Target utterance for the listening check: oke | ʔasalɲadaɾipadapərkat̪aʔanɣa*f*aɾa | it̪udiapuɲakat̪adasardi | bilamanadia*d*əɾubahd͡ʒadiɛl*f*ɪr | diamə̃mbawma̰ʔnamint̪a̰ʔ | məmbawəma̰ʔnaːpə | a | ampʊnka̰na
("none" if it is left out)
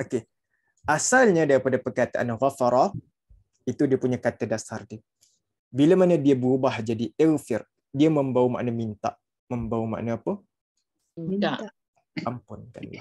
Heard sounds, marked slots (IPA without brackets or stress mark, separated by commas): f, b, f